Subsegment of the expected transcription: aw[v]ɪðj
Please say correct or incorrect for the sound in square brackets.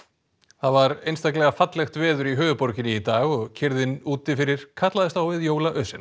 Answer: correct